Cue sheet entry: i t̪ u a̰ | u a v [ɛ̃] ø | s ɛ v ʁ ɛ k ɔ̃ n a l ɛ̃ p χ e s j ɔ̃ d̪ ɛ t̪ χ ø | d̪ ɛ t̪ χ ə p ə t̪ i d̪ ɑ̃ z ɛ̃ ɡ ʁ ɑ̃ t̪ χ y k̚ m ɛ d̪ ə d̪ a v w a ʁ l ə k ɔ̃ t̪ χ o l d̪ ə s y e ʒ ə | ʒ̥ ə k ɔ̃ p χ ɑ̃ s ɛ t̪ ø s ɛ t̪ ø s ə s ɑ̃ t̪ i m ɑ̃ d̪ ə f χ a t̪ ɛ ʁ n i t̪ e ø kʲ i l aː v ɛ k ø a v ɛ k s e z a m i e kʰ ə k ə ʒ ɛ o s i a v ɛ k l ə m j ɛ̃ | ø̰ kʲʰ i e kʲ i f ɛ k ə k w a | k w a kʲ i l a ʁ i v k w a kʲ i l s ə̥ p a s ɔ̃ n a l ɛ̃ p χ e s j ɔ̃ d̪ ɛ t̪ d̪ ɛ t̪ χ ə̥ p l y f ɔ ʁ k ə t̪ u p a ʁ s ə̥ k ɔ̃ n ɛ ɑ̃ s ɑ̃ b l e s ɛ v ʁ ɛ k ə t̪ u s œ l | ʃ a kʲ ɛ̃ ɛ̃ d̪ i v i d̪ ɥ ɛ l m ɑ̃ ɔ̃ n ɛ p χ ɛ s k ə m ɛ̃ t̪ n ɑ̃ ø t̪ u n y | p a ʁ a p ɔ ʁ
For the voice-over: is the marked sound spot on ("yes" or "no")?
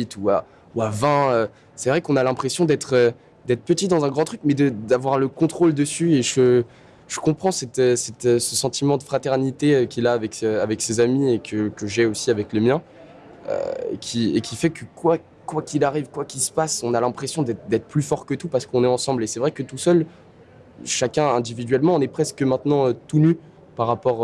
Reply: yes